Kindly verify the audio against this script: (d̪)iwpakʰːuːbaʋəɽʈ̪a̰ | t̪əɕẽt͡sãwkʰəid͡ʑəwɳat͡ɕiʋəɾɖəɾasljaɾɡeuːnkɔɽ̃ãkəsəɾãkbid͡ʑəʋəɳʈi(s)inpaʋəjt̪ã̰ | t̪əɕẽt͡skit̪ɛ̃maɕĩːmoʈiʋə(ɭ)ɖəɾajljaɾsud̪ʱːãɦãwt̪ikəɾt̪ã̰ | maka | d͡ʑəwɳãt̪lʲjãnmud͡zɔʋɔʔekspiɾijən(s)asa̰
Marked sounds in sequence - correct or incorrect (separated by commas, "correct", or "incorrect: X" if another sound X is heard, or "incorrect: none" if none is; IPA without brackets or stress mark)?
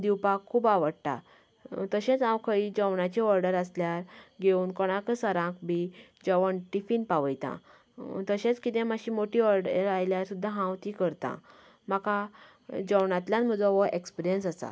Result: correct, incorrect: f, incorrect: ɾ, correct